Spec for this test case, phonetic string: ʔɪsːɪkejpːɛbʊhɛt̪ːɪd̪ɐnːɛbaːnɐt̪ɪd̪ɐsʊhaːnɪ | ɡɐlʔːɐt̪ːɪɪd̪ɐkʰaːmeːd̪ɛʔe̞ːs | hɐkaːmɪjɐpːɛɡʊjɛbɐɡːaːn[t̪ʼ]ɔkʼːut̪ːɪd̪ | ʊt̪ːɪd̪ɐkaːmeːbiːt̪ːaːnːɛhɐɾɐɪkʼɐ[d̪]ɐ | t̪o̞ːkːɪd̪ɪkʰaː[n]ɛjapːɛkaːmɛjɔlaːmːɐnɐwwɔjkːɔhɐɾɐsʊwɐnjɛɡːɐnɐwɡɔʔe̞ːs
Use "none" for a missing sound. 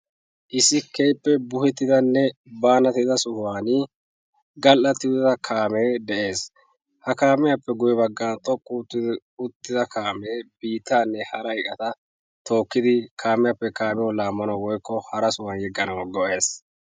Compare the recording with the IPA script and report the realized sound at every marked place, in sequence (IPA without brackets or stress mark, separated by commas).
t̪ʼ, t̪, m